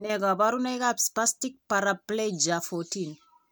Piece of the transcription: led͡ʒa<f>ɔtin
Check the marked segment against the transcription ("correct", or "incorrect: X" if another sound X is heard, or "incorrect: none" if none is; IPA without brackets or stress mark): correct